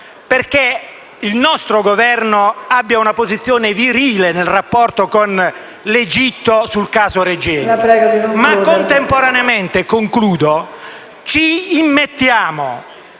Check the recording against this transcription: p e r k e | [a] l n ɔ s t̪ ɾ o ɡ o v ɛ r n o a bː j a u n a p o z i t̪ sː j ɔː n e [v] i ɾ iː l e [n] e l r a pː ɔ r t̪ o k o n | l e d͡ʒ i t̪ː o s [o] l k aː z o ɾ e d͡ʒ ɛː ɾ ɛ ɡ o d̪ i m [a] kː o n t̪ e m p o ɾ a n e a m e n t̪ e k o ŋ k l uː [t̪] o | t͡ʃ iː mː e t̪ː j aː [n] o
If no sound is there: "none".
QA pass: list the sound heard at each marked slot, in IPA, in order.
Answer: i, v, n, u, a, d̪, m

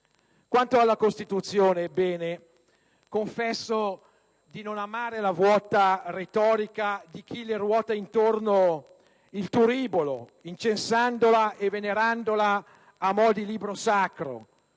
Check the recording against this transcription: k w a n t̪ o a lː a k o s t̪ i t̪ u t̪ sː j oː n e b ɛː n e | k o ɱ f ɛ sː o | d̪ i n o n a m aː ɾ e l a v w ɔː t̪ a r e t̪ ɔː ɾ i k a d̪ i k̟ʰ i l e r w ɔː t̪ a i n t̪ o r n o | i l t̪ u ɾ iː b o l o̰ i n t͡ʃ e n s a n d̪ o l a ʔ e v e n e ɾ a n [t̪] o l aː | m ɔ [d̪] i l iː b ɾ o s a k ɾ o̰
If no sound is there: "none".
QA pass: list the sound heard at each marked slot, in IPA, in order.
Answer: d̪, d̪

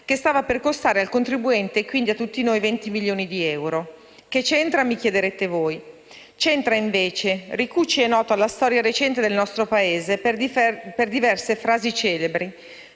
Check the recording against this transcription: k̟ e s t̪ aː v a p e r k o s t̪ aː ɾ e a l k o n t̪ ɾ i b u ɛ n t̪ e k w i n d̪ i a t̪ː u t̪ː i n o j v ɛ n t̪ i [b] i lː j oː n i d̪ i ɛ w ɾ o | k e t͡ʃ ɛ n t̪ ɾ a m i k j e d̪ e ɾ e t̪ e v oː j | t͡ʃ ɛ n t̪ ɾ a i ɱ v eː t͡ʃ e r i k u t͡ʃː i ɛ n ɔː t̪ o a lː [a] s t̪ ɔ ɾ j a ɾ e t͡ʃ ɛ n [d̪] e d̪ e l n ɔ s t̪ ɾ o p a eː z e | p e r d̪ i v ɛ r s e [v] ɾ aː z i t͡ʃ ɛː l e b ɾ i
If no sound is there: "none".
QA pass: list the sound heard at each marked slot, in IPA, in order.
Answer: m, a, t̪, f

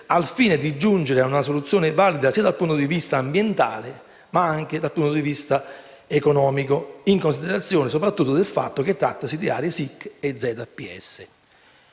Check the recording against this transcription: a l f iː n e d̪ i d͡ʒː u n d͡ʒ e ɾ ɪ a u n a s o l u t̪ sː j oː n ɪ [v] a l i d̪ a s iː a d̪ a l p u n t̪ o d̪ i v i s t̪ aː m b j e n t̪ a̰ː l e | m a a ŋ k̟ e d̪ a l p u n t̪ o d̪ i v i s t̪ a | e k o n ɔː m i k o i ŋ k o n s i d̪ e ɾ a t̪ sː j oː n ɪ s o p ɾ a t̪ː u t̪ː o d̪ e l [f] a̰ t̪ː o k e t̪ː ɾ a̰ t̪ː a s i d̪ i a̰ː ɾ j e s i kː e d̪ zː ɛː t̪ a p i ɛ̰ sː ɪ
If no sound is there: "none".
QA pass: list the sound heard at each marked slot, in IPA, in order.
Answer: v, f

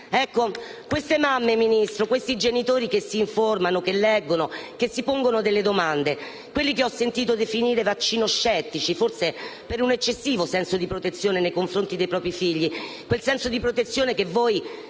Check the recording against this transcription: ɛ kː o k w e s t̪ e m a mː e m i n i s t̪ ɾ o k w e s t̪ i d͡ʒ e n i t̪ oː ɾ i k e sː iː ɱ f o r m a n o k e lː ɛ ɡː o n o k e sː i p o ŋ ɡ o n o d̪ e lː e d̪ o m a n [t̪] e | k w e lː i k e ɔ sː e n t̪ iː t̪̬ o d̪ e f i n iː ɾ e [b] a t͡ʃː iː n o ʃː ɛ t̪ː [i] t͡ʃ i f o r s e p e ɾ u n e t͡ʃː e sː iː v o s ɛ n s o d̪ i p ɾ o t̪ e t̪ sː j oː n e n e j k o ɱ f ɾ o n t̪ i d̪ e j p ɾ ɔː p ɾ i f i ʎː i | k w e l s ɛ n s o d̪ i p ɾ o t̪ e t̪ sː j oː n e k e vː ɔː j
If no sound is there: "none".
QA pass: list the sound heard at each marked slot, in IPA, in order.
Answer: d̪, v, i

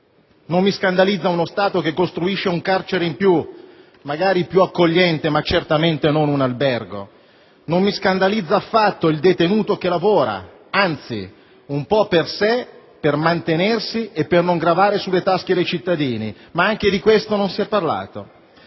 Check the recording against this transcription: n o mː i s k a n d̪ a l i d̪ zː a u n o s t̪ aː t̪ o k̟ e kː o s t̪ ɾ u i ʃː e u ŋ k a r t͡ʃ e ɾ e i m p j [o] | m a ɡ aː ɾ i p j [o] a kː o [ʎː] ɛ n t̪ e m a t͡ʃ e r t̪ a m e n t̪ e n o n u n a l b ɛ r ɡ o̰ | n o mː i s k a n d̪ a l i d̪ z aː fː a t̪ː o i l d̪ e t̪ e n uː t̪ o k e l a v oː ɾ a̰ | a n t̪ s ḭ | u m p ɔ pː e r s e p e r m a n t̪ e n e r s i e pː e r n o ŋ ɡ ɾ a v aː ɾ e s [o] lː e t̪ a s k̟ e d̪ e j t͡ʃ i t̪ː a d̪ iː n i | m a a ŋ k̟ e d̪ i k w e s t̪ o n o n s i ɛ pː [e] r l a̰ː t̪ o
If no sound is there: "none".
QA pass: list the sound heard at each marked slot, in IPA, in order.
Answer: u, u, ʎː, u, a

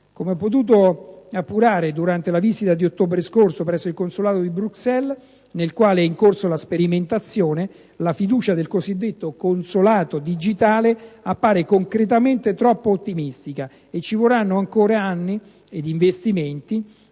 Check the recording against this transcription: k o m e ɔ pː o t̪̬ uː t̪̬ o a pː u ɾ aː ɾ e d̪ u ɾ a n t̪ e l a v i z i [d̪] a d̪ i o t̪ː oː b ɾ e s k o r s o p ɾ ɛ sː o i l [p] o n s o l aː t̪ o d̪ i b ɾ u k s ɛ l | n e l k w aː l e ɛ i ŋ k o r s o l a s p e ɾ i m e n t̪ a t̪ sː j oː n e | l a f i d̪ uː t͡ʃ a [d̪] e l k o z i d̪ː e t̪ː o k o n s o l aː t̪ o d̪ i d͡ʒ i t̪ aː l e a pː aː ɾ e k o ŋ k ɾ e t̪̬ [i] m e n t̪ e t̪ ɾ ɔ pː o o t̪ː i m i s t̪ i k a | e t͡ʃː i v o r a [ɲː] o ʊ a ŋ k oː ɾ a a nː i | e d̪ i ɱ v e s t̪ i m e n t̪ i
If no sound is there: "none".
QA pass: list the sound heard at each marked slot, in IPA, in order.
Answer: t̪, k, d̪, a, nː

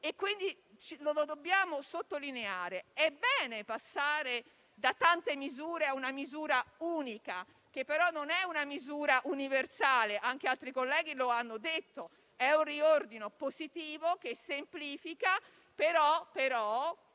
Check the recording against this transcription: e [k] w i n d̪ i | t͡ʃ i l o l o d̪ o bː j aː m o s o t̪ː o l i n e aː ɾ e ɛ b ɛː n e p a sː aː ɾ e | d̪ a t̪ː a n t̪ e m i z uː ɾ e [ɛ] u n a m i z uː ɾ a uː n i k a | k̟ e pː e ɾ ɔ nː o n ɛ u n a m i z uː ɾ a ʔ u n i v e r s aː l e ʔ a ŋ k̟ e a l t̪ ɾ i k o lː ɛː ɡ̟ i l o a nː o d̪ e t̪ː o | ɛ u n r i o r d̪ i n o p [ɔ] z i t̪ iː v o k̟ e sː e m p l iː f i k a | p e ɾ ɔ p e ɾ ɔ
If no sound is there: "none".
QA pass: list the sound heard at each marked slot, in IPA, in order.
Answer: k, a, o

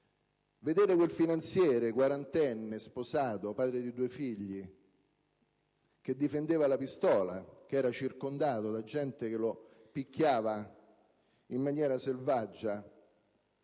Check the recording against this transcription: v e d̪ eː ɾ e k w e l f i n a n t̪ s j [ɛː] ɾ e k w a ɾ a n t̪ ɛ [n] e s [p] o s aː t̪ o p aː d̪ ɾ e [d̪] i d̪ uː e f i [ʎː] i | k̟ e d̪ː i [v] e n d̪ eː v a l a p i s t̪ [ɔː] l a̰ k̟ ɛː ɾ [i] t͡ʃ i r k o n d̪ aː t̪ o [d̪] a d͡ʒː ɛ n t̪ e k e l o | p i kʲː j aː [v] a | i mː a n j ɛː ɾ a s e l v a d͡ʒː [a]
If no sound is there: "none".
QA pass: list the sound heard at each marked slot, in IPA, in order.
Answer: ɛː, nː, p, d̪, ʎː, f, ɔː, a, d̪, v, a

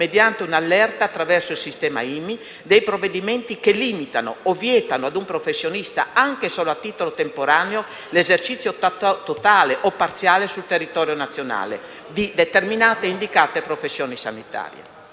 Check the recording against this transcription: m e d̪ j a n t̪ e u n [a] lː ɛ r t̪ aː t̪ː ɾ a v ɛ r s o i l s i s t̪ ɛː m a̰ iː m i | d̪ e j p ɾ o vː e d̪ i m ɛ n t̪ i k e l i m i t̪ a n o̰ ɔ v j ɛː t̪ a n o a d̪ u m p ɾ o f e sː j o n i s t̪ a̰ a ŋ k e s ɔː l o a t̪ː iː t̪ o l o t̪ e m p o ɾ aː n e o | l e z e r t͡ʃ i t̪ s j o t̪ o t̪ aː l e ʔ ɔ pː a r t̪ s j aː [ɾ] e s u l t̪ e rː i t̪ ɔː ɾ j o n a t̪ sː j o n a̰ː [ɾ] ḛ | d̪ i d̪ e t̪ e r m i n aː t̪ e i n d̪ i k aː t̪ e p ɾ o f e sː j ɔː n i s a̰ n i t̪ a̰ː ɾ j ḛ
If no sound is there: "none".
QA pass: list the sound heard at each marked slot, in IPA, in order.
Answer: a, l, l

